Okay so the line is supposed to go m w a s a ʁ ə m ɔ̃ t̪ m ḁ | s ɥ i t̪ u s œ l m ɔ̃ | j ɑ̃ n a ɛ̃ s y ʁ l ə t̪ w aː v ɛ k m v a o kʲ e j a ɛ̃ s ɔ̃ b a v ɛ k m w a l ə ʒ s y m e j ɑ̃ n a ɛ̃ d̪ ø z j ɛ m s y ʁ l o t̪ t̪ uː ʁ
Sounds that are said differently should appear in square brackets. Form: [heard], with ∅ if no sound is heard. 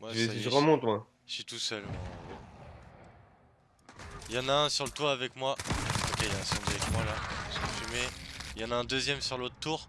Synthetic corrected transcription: m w a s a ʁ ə m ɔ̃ t̪ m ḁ | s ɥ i t̪ u s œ l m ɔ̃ | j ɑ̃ n a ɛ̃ s y ʁ l ə t̪ w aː v ɛ k m [w] a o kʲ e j a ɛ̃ s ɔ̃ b a v ɛ k m w a l [a] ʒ [f] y m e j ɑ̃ n a ɛ̃ d̪ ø z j ɛ m s y ʁ l o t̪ t̪ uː ʁ